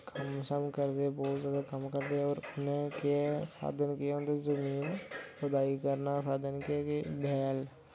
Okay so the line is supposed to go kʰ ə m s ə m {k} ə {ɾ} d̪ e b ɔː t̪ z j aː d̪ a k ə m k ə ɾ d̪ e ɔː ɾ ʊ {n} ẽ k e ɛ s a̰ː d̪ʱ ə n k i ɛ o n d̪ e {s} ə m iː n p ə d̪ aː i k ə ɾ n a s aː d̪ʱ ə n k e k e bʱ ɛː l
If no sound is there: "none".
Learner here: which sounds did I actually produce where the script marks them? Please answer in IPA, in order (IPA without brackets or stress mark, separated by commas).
k, ɾ, n, z